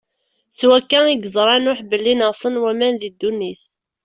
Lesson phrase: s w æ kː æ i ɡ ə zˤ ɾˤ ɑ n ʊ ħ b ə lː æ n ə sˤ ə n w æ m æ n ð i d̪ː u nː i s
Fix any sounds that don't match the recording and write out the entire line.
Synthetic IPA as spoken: s w æ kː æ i ɡ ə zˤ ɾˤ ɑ n ʊ ħ b ə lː i n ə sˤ ə n w æ m æ n ð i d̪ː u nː i θ